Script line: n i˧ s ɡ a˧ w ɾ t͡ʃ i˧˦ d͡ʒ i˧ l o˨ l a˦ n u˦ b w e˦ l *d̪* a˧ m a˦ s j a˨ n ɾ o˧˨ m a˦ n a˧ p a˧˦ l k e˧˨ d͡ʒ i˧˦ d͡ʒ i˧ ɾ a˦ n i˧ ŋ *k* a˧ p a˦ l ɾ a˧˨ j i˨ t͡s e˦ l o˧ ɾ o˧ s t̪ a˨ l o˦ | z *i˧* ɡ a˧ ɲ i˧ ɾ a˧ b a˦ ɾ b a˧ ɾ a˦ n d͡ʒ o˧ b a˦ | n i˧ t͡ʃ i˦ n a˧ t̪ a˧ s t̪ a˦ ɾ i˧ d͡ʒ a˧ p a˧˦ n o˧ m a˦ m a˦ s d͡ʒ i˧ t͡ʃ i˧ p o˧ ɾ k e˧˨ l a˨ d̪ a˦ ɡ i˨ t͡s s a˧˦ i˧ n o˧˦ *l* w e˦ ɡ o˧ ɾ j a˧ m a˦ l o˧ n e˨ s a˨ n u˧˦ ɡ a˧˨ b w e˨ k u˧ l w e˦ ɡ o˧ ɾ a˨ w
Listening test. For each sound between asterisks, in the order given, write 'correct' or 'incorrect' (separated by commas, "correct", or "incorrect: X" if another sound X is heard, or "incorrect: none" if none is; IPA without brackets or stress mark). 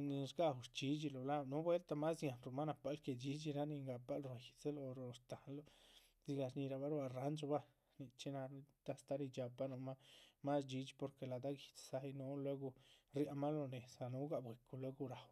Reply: incorrect: t̪, incorrect: ɡ, correct, correct